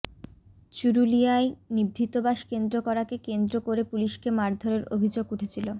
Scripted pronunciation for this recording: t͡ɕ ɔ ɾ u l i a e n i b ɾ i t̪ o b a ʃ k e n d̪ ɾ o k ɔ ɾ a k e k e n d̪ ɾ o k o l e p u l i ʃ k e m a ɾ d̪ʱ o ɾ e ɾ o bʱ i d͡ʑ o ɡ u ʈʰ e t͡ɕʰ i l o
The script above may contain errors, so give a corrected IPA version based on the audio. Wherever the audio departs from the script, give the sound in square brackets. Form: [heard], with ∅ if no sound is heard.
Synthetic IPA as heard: t͡ɕ [u] ɾ u l i a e n i b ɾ i t̪ o b a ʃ k e n d̪ ɾ o k ɔ ɾ a k e k e n d̪ ɾ o k o [ɾ] e p u l i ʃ k e m a ɾ d̪ʱ o ɾ e ɾ o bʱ i d͡ʑ o ɡ u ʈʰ e t͡ɕʰ i l o